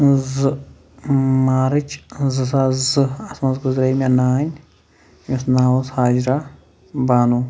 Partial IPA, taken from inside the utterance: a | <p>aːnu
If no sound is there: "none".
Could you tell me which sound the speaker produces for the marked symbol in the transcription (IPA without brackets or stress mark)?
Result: b